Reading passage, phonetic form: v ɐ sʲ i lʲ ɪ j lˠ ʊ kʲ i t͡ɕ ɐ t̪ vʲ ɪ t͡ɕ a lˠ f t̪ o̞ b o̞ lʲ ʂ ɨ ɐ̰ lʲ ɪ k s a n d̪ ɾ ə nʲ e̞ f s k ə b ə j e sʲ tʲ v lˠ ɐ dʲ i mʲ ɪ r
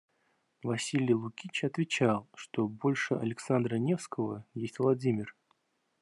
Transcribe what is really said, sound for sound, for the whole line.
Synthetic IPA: v ɐ sʲ i lʲ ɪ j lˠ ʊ kʲ i t͡ɕ ɐ t̪ vʲ ɪ t͡ɕ a lˠ ʂ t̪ o̞ b o̞ lʲ ʂ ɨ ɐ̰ lʲ ɪ k s a n d̪ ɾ ə nʲ e̞ f s k ə v ə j e sʲ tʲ v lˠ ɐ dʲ i mʲ ɪ r